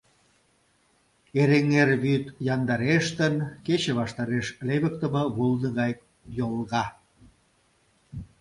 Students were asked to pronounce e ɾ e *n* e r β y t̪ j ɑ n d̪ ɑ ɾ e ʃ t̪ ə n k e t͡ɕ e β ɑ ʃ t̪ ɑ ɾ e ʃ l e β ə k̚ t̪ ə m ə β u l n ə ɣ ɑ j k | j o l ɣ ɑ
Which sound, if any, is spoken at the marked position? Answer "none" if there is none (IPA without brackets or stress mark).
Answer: ŋ